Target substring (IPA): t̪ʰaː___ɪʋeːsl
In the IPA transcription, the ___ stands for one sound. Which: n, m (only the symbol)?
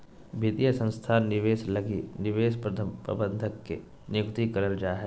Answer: n